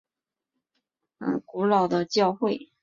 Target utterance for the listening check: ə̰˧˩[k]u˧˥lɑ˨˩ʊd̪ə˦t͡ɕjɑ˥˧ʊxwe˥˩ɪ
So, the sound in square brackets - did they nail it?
yes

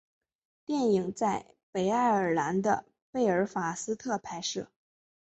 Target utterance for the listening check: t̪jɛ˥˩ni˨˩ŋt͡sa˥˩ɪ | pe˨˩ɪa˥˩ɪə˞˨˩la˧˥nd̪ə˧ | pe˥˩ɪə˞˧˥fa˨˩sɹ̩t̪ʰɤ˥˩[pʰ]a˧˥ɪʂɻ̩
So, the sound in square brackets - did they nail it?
yes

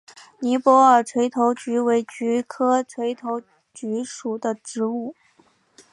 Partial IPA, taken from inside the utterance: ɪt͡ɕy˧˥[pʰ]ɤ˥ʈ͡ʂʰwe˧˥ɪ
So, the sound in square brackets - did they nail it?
no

